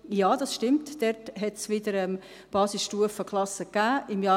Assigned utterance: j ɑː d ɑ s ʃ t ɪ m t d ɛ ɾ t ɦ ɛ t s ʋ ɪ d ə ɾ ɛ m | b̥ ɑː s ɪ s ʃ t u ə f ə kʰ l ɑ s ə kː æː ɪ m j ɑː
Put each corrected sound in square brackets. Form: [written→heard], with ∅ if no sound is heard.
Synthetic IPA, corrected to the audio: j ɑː d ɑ s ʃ t ɪ m t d ɛ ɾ t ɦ ɛ t s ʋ ɪ d ə ɾ ɛ m | b̥ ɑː s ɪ s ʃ t u ə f ə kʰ l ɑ s ə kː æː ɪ m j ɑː